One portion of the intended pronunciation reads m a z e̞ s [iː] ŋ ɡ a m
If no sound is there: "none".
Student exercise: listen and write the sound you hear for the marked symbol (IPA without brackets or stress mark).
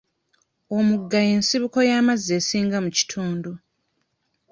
iː